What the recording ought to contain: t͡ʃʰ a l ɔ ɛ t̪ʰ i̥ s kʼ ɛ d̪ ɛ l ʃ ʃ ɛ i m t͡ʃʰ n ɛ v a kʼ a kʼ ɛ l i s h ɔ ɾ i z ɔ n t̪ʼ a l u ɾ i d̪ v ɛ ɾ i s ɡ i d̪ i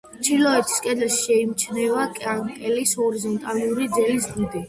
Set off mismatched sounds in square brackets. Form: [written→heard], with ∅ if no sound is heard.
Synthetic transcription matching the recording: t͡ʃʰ [a→i] l ɔ ɛ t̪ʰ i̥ s kʼ ɛ d̪ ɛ l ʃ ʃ ɛ i m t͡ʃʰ n ɛ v a kʼ a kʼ ɛ l i s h ɔ ɾ i z ɔ n t̪ʼ a l u ɾ i d̪ [v→z] ɛ [ɾ→l] i s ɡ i d̪ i